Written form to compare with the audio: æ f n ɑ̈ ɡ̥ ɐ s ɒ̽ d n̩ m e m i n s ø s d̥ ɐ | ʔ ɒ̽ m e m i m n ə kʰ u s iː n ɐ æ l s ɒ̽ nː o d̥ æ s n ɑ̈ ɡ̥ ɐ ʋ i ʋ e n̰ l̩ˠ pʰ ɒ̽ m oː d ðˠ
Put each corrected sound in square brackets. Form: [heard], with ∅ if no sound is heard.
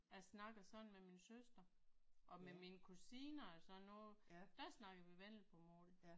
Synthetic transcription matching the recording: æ [s] n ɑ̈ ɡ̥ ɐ s ɒ̽ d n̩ m e m i n s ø s d̥ ɐ | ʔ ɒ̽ m e m i [∅] n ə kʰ u s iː n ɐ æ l s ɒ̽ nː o d̥ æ s n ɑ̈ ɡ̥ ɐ ʋ i ʋ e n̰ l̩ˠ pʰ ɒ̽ m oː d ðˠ